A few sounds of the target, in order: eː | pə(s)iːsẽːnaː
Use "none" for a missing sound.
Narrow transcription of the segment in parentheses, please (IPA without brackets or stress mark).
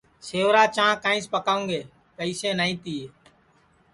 none